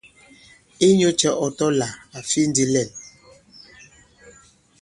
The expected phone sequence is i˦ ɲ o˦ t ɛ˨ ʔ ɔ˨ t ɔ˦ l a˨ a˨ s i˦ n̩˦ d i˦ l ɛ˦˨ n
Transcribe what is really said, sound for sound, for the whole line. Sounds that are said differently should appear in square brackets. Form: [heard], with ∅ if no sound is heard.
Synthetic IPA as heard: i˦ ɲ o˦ [t͡ʃ] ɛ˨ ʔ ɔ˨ t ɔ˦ l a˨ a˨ [f] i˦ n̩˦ d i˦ l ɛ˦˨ n